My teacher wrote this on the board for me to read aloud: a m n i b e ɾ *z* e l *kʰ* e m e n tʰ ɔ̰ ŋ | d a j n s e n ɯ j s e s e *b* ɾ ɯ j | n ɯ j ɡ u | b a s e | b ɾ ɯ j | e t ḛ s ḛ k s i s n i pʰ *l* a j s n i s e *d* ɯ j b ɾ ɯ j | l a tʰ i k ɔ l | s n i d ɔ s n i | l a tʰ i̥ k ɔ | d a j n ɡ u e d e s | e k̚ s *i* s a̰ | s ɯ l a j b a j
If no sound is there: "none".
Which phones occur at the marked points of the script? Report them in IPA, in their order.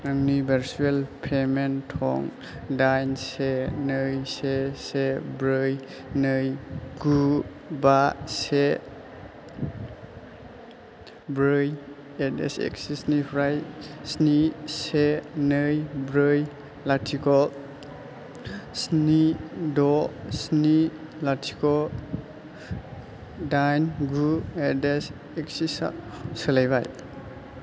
s, pʰ, b, ɾ, n, i

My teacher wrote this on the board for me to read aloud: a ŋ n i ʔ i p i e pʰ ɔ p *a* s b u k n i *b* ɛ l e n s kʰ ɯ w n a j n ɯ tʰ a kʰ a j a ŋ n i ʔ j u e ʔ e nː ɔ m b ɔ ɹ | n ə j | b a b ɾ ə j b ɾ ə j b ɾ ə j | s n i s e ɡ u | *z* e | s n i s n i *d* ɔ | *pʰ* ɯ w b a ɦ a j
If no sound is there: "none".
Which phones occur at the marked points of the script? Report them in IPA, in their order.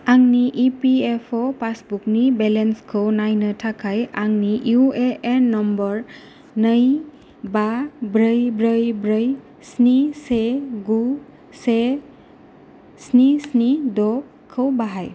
a, b, s, d, kʰ

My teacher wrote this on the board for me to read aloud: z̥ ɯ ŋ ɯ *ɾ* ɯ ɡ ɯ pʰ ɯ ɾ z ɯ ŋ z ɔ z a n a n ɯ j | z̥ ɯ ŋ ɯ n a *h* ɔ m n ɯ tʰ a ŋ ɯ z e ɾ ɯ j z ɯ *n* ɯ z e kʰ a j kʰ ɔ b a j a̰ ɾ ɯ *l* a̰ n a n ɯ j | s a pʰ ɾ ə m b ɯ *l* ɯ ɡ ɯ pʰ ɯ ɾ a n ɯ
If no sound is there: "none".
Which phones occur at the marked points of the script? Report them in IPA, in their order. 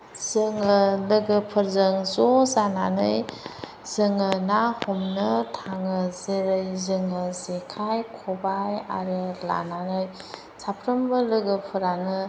l, h, ŋ, l, l

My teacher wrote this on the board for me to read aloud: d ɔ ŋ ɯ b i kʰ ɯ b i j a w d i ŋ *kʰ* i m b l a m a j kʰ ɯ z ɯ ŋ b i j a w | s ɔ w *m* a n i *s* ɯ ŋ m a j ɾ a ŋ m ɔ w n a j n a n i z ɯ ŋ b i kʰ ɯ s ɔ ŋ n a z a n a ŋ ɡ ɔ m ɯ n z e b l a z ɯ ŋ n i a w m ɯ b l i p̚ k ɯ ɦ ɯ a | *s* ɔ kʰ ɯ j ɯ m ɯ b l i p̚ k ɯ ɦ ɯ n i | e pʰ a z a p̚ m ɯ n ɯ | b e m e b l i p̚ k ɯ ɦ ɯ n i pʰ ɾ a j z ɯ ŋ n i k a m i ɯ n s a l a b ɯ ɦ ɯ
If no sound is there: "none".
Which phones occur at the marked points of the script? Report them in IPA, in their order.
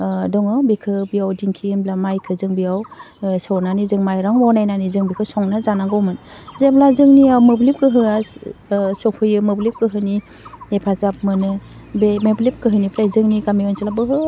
kʰ, n, z, s

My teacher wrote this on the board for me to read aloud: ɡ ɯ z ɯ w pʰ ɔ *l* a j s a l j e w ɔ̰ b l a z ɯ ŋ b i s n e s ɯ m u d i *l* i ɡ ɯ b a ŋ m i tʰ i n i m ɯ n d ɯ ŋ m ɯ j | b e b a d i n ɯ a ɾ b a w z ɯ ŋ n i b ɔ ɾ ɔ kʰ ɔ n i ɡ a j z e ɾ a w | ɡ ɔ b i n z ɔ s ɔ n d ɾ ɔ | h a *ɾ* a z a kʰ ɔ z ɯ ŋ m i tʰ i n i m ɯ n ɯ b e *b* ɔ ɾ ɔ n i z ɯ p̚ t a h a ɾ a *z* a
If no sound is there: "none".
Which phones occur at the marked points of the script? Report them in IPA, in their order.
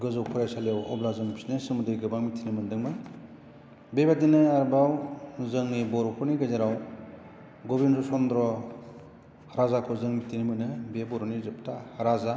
ɾ, ɾ, ɾ, b, z

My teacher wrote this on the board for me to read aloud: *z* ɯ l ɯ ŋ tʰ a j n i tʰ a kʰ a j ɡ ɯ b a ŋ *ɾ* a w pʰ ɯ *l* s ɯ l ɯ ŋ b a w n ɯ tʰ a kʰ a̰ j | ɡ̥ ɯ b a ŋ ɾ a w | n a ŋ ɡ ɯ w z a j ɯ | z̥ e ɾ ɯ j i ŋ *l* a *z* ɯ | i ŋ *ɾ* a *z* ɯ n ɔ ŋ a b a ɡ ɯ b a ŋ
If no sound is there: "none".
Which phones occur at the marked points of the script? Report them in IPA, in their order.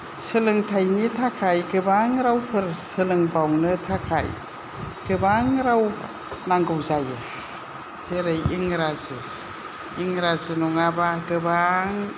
s, ɾ, ɾ, ɾ, z, ɾ, z

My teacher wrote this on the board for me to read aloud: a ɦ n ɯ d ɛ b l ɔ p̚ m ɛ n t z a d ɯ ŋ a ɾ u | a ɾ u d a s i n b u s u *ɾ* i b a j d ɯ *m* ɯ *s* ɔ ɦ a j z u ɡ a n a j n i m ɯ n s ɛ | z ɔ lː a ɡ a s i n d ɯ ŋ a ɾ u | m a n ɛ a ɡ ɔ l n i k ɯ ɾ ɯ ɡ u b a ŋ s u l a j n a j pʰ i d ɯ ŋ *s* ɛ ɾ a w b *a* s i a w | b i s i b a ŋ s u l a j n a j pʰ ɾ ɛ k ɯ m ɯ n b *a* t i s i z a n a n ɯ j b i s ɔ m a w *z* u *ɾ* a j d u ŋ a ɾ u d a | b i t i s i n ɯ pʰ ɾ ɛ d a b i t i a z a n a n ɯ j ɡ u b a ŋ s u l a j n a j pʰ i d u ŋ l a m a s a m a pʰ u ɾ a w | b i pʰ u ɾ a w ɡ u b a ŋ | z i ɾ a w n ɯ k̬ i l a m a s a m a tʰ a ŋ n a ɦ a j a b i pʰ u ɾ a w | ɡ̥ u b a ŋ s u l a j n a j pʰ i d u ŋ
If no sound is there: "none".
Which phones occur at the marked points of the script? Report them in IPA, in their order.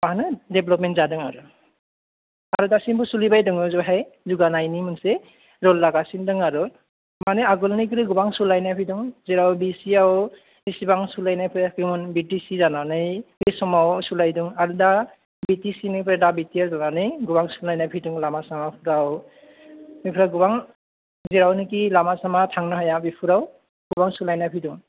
l, ŋ, z, z, i, i, s, l

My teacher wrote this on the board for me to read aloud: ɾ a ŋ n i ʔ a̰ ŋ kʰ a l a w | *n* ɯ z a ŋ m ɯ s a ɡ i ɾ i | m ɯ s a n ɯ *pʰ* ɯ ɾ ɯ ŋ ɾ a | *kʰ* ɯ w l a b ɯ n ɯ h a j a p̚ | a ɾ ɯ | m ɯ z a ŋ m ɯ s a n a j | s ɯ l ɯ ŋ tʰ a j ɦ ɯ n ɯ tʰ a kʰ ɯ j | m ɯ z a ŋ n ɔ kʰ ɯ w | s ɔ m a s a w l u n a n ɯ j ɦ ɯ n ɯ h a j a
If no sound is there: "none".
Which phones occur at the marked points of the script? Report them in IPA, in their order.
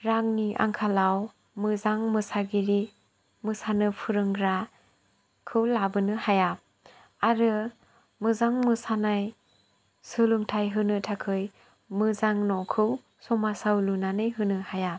m, pʰ, kʰ

